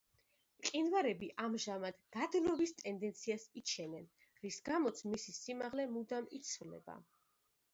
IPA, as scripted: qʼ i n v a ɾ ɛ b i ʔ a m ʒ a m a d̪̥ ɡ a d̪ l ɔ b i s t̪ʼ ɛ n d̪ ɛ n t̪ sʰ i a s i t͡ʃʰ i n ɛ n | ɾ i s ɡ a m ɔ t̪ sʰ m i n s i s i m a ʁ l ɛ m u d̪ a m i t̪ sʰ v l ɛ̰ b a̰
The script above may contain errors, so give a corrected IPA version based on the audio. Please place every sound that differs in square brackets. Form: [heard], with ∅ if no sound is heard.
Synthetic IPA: qʼ i n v a ɾ ɛ b i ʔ a m ʒ a m a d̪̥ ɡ a d̪ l ɔ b i s t̪ʼ ɛ n d̪ ɛ n t̪ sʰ i a s i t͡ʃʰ [ɛ] n ɛ n | ɾ i s ɡ a m ɔ t̪ sʰ m i [∅] s i s i m a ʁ l ɛ m u d̪ a m i t̪ sʰ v l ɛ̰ b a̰